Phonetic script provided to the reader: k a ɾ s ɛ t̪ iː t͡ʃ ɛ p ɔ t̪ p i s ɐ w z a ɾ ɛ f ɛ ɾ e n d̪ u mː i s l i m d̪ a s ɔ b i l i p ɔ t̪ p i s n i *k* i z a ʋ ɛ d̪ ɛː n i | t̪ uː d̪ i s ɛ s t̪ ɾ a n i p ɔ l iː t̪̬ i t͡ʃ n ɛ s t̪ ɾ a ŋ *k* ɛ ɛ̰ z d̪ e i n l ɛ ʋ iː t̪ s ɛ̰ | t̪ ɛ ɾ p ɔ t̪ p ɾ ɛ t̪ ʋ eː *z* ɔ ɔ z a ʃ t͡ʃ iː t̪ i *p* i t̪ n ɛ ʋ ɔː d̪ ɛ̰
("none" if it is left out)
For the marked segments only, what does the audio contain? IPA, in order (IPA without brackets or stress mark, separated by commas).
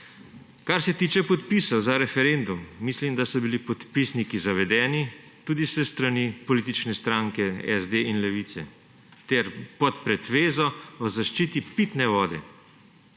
k, k, z, p